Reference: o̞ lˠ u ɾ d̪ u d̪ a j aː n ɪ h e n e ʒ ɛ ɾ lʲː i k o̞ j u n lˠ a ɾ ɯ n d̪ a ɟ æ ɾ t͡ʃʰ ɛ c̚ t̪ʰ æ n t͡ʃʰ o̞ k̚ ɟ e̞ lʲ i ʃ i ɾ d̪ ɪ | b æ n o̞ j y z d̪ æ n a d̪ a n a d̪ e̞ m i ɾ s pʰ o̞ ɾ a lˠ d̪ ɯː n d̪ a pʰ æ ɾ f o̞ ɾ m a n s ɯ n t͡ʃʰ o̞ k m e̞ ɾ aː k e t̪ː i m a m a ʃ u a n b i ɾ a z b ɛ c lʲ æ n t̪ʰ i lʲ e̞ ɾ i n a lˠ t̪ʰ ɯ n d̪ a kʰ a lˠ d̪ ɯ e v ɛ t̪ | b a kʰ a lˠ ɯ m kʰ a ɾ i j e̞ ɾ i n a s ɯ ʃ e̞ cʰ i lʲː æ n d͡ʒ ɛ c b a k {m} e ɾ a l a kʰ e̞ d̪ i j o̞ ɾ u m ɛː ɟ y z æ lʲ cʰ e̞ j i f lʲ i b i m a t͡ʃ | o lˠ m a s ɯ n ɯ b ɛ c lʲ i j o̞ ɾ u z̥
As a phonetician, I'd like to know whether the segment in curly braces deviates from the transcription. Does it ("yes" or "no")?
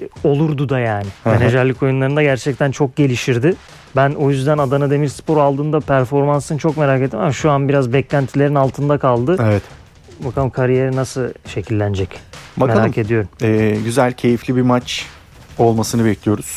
no